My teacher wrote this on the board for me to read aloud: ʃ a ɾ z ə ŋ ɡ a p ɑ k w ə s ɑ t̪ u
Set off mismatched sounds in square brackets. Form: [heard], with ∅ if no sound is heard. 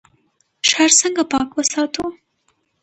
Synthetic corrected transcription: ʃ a ɾ [s] ə ŋ ɡ a p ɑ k w ə s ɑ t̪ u